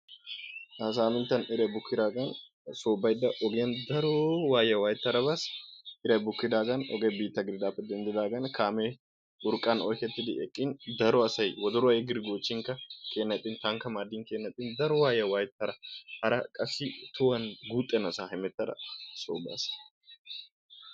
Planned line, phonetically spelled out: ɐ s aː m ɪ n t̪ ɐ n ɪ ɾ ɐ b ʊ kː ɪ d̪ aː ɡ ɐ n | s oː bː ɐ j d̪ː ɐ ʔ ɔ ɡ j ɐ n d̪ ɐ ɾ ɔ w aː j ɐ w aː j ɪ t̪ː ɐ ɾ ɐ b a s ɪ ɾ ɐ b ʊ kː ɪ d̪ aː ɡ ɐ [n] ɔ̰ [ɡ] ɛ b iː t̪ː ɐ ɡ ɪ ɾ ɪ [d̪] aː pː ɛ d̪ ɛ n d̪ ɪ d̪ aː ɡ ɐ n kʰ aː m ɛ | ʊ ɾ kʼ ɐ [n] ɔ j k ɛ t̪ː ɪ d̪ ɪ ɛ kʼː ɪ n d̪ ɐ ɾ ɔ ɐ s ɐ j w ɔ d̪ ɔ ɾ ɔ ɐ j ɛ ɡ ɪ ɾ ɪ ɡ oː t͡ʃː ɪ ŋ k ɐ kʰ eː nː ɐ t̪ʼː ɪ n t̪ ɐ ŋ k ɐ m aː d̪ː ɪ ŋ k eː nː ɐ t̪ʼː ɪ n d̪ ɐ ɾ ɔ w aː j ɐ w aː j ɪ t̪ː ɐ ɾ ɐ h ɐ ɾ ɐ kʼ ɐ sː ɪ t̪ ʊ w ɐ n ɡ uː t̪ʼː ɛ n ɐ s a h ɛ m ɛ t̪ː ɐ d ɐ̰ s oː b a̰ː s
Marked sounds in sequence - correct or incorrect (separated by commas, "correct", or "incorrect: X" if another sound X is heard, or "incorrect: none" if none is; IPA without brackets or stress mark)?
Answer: correct, correct, correct, correct